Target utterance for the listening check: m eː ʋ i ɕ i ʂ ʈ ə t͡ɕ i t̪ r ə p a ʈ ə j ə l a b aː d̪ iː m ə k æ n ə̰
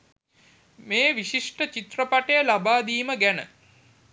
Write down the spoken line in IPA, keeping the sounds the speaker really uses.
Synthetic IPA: m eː ʋ i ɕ i ʂ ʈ ə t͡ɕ i t̪ r ə p a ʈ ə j ə l a b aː d̪ iː m ə ɡ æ n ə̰